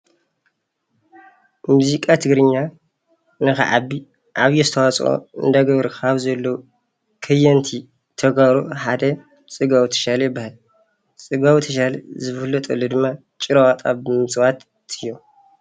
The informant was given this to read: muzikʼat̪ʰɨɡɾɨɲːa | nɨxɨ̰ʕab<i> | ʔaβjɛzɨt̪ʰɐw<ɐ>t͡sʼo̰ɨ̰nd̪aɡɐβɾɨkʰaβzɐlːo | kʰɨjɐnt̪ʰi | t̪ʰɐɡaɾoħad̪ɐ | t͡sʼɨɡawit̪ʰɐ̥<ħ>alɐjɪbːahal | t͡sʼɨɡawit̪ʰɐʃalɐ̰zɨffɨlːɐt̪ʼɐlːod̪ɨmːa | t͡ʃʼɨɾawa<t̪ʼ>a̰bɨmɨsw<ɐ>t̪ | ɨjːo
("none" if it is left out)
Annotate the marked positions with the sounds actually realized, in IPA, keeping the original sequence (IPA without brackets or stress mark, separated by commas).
i, a, ʃ, t̪ʼ, a